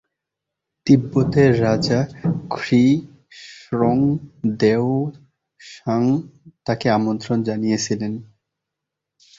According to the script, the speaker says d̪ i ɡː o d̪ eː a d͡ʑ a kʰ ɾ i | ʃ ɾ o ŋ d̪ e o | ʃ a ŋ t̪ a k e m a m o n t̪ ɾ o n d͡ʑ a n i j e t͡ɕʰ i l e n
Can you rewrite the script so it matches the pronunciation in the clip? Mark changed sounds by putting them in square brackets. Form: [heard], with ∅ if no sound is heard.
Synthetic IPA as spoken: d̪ i [bː] o [t̪] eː a d͡ʑ a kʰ ɾ i | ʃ ɾ o ŋ d̪ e o | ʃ a ŋ t̪ a k e [∅] a m o n t̪ ɾ o n d͡ʑ a n i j e t͡ɕʰ i l e n